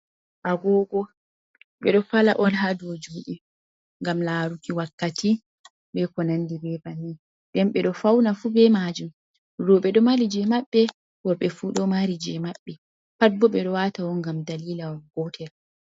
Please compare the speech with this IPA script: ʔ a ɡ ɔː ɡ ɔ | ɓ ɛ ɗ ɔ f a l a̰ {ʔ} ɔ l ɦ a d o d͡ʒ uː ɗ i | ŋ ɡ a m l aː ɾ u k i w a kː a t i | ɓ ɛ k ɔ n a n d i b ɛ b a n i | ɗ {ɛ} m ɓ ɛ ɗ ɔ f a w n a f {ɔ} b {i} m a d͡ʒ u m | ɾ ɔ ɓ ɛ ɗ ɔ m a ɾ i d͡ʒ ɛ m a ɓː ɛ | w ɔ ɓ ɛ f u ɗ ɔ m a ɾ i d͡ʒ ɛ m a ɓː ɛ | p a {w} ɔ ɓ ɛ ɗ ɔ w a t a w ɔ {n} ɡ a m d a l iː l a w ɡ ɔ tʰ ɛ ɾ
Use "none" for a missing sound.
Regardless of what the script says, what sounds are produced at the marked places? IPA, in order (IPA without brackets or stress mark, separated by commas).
ʔ, ɛ, u, ɛ, b, ŋ